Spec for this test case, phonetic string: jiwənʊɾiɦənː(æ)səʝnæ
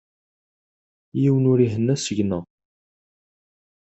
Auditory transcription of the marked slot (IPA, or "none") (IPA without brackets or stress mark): æ